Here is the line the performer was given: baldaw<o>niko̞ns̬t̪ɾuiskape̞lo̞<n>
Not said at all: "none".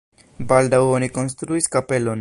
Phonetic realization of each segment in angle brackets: o, n

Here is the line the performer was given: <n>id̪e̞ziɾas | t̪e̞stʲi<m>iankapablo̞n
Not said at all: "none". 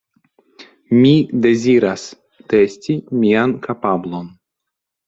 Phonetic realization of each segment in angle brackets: m, m

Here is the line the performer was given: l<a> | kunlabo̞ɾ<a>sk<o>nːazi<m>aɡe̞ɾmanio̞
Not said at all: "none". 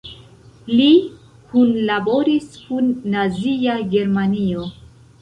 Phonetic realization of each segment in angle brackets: i, i, u, none

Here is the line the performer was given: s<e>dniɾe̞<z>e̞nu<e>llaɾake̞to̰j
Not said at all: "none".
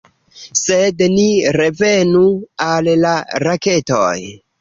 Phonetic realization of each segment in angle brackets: e, v, a

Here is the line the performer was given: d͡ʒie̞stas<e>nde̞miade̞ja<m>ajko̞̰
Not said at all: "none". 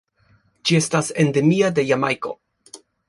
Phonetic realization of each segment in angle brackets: e, m

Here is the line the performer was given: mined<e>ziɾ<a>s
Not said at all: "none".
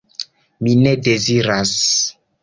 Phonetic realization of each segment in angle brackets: e, a

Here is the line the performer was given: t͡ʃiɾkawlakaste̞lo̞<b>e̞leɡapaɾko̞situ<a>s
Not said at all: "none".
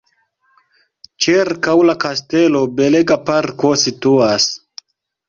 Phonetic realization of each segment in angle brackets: b, a

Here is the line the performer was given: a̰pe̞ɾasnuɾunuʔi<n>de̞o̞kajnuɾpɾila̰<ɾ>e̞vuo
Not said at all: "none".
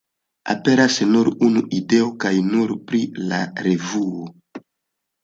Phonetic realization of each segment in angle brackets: none, ɾ

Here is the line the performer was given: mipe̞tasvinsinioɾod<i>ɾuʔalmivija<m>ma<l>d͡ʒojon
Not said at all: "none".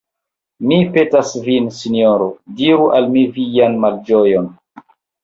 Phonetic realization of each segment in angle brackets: i, n, l

